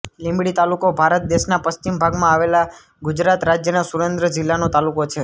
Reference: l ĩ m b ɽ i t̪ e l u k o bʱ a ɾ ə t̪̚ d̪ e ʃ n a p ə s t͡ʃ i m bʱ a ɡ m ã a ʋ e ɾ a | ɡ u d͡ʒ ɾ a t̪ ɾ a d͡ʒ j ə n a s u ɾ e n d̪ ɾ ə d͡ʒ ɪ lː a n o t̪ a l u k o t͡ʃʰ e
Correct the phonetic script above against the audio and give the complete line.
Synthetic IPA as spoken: l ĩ m b ɽ i t̪ a l u k o bʱ a ɾ ə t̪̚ d̪ e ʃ n a p ə s t͡ʃ i m bʱ a ɡ m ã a ʋ e l a | ɡ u d͡ʒ ɾ a t̪ ɾ a d͡ʒ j ə n a s u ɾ e n d̪ ɾ ə d͡ʒ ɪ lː a n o t̪ a l u k o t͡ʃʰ e